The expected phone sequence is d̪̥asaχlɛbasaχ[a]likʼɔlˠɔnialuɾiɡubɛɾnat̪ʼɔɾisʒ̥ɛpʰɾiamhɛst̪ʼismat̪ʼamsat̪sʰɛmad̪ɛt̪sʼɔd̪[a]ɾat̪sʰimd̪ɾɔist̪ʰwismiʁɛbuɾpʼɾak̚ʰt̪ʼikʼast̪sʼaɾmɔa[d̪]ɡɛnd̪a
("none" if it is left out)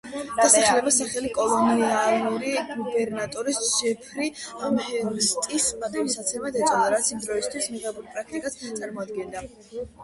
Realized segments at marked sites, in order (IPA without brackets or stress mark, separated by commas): ɛ, a, d̪